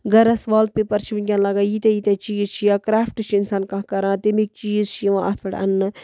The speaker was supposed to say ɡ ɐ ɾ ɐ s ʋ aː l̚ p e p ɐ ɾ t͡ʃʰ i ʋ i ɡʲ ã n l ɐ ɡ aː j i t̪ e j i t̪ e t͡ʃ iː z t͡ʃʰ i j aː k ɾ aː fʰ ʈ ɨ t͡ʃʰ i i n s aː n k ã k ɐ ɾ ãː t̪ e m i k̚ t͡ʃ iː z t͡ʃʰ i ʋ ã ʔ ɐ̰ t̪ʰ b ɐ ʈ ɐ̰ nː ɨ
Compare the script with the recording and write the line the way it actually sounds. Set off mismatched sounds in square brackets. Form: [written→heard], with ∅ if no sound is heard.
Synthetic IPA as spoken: ɡ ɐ ɾ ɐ s ʋ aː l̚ p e p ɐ ɾ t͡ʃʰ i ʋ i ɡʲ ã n l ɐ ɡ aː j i t̪ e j i t̪ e t͡ʃ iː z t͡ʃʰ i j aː k ɾ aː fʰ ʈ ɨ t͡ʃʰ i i n s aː n k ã k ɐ ɾ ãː t̪ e m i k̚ t͡ʃ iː z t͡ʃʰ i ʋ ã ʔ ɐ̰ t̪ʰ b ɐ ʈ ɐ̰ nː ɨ

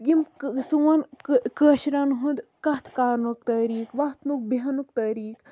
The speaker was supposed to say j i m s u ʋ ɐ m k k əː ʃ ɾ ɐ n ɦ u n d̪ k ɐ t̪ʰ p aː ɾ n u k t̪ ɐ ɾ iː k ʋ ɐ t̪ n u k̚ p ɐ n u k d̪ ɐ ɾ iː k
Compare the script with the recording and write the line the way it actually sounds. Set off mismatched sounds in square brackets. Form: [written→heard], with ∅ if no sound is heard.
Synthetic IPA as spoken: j i m s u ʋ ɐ [m→n] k k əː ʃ ɾ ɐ n ɦ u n d̪ k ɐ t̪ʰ [p→k] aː ɾ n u k t̪ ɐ ɾ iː k ʋ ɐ t̪ n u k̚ [p→b] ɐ n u k [d̪→t̪] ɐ ɾ iː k

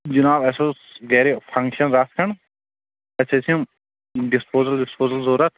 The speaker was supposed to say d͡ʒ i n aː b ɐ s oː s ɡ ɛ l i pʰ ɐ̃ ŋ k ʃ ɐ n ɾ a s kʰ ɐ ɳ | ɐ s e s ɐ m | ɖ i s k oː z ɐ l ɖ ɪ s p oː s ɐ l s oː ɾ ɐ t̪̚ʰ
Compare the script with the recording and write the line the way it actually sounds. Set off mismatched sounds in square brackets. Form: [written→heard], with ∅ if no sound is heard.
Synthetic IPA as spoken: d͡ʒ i n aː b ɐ s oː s ɡ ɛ [l→ɾ] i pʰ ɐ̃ ŋ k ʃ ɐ n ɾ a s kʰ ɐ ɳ | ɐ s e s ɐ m | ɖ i s [k→p] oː z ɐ l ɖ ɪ s p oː [s→z] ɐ l [s→z] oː ɾ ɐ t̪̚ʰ

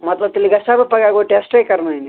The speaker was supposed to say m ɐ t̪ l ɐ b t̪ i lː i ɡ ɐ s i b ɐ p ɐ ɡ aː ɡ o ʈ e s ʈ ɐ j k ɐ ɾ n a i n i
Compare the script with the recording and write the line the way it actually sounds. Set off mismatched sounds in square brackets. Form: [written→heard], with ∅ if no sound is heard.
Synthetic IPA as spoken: m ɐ t̪ l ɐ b t̪ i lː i ɡ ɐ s [i→a] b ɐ p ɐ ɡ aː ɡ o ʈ e s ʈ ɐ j k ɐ ɾ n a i n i

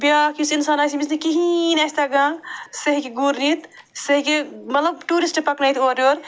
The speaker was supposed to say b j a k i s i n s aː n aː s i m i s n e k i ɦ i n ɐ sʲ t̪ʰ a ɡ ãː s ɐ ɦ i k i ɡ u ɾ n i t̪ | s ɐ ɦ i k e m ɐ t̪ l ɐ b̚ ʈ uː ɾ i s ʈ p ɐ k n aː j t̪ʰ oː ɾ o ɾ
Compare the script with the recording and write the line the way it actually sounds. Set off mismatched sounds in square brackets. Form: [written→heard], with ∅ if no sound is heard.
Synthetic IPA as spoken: b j a k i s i n s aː n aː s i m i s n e k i ɦ i n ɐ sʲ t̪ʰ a ɡ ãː s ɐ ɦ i k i ɡ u ɾ n i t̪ | s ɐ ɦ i k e m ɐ t̪ l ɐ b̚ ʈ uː ɾ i s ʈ p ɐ k n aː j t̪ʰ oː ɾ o ɾ

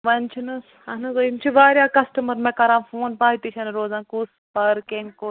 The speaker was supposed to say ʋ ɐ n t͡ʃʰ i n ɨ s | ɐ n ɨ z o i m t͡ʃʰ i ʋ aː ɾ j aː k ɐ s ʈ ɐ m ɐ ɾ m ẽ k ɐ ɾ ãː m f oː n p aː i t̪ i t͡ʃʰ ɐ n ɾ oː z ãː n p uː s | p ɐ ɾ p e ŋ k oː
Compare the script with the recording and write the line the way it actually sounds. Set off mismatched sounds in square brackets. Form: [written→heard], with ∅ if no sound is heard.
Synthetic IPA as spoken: ʋ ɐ n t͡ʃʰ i n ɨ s | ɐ n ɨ z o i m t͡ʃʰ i ʋ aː ɾ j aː k ɐ s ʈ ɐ m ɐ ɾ m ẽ k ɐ ɾ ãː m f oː n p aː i t̪ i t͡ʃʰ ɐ n ɾ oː z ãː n [p→k] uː s | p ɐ ɾ [p→k] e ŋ k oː

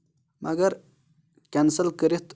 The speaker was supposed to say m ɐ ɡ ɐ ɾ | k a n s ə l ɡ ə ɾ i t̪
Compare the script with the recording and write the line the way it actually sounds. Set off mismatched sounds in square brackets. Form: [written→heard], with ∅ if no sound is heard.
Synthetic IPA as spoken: m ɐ ɡ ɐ ɾ | k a n s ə l [ɡ→k] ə ɾ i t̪

